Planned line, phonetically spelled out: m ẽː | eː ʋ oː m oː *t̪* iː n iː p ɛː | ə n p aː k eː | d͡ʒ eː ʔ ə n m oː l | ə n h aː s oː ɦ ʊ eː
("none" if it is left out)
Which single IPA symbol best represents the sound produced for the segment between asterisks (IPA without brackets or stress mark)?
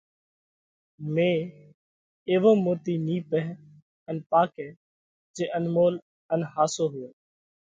t̪